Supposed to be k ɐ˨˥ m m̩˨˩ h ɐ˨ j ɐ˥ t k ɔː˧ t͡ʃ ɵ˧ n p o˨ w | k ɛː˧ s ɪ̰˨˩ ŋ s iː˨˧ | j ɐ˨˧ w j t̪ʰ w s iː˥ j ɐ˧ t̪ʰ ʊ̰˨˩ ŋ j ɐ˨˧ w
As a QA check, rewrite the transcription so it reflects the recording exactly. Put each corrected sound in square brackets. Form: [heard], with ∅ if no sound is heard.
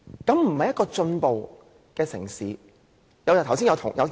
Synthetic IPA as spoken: k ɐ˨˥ m m̩˨˩ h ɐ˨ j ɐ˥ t k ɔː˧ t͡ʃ ɵ˧ n p o˨ w | k ɛː˧ s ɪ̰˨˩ ŋ s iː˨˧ | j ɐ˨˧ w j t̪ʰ w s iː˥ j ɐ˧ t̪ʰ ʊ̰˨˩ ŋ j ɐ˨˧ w